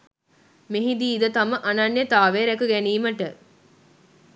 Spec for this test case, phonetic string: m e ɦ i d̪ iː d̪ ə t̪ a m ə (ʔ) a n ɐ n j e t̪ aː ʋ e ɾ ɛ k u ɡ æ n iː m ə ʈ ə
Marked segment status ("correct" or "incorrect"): correct